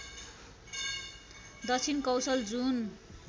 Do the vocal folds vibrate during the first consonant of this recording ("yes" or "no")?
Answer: yes